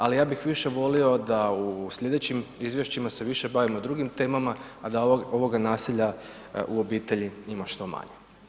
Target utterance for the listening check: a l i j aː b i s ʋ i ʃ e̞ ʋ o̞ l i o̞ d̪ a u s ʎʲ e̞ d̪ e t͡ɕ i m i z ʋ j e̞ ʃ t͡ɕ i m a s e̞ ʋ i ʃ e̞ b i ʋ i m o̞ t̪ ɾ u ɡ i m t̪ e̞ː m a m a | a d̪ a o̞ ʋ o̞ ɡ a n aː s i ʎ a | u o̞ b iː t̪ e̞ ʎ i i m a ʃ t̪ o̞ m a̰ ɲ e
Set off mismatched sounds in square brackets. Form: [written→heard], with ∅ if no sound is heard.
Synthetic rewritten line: a l i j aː b i [s→x] ʋ i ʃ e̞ ʋ o̞ l i o̞ d̪ a u s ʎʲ e̞ d̪ e t͡ɕ i m i z ʋ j e̞ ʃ t͡ɕ i m a s e̞ ʋ i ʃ e̞ b [i→a] ʋ i m o̞ [t̪→d̪] ɾ u ɡ i m t̪ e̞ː m a m a | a d̪ a o̞ ʋ o̞ ɡ a n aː s i ʎ a | u o̞ b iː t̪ e̞ ʎ i i m a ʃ t̪ o̞ m a̰ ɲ e